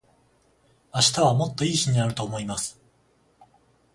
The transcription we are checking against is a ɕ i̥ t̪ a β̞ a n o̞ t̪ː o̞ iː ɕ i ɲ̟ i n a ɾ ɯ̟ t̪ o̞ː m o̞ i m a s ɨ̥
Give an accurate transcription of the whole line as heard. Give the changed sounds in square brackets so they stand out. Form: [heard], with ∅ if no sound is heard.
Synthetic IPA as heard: a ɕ i̥ t̪ a β̞ a [m] o̞ t̪ː o̞ iː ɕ i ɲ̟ i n a ɾ ɯ̟ t̪ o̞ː m o̞ i m a s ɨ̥